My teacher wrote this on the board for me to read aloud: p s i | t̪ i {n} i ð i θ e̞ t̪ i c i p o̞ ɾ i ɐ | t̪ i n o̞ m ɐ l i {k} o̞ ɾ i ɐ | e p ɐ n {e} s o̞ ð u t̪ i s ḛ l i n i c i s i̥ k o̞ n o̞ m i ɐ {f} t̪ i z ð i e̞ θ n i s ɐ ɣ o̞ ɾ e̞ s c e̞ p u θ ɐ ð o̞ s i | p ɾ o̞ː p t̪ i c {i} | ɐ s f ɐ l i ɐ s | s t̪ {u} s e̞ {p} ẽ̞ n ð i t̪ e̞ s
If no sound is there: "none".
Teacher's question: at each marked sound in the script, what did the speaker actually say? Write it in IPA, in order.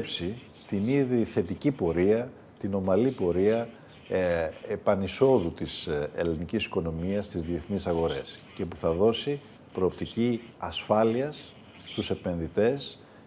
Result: n, p, i, s, i, u, p

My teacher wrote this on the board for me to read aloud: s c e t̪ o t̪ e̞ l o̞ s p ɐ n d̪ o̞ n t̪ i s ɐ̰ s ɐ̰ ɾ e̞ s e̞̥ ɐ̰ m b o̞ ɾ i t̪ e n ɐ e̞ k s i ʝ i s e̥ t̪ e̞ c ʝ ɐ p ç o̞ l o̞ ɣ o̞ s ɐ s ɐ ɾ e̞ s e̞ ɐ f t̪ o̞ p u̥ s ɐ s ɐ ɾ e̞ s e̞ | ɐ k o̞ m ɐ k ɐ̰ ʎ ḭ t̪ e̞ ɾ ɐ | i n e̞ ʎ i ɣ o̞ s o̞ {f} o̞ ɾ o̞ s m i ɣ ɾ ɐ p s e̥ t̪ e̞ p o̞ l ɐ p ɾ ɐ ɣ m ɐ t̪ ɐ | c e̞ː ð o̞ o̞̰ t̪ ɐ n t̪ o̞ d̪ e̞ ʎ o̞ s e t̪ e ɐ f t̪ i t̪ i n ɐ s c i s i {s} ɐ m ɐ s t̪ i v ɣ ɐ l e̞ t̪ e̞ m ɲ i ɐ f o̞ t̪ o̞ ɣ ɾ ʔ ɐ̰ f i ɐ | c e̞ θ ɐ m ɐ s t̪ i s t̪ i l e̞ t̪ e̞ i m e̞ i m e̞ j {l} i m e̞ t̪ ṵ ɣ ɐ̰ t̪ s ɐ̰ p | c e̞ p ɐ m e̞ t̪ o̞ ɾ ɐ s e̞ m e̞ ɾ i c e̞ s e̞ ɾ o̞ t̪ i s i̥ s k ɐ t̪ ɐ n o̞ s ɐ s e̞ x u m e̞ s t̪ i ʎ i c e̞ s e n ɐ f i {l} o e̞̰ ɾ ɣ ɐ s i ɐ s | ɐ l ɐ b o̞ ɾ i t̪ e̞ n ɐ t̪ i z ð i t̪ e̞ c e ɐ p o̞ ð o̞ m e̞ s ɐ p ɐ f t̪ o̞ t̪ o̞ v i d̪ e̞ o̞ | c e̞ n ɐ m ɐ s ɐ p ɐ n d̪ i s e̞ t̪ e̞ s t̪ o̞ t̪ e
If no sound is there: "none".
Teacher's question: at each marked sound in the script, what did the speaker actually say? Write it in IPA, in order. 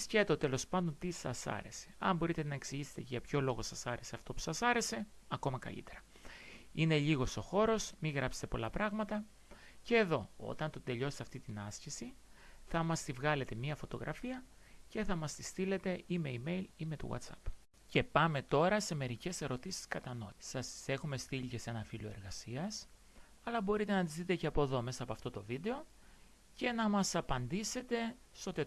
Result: x, θ, l, l

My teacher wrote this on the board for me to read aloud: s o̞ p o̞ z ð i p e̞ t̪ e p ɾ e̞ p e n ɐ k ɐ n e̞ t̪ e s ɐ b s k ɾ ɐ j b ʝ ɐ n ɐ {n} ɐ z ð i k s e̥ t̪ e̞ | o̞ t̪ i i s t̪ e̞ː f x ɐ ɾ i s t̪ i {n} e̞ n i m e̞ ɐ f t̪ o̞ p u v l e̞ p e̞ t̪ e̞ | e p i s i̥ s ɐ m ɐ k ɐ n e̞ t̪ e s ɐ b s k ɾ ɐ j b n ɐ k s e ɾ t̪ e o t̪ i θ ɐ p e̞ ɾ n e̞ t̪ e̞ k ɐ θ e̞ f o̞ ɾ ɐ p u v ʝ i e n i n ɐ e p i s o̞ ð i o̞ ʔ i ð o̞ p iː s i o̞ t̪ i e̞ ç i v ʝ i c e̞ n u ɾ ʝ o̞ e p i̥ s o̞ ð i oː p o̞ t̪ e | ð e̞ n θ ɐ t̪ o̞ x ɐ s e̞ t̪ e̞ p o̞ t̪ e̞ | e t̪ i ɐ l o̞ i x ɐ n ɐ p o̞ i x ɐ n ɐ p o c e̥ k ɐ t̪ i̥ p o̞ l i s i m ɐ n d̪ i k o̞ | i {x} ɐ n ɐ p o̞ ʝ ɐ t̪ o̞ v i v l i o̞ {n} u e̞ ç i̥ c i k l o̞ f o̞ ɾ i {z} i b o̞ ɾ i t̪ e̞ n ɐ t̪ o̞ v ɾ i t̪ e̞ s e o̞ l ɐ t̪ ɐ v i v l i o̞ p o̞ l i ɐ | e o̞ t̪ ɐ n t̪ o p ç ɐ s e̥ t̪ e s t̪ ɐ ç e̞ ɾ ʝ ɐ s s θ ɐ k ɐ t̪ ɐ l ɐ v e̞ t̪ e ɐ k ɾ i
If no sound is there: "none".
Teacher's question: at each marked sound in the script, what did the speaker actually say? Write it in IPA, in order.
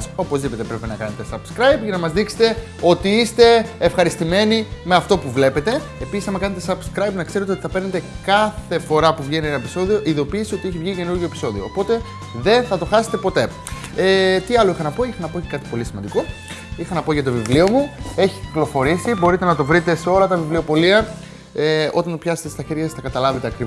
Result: m, m, x, m, s

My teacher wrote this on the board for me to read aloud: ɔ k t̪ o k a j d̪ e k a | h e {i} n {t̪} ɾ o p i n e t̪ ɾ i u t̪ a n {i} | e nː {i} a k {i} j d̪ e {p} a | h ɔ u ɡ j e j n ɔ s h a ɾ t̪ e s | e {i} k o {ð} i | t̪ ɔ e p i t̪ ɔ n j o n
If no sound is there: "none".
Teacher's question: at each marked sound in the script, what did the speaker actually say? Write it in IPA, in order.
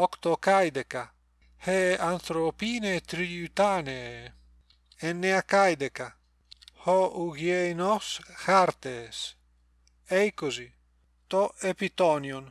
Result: a, t̪, e, e, a, k, j, z

